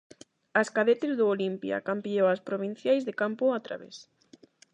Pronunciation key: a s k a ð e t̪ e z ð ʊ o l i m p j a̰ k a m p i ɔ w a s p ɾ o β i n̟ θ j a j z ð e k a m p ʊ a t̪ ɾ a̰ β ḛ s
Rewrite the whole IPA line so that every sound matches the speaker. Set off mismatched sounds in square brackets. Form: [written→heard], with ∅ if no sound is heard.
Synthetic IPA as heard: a s k a ð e t̪ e z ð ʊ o l i m p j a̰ k a m p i [ɔ→o] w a s p ɾ o β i n̟ θ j a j z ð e k a m p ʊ a t̪ ɾ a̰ β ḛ s